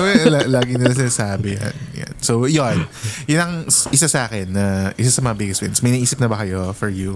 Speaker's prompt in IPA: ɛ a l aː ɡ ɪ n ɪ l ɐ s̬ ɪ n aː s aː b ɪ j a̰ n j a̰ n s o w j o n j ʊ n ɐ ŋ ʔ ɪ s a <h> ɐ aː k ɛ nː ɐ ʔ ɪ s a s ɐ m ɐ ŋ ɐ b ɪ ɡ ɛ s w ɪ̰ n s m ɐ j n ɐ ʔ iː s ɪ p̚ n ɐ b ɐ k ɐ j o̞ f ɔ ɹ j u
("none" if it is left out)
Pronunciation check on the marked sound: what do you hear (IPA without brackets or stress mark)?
s